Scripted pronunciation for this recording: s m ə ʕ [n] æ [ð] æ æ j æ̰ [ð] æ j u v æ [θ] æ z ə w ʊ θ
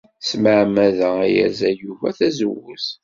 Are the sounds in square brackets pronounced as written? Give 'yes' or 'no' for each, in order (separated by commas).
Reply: no, yes, no, yes